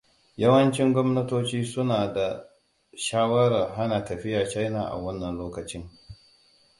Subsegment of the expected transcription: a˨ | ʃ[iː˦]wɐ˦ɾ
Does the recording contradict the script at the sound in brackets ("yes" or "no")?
yes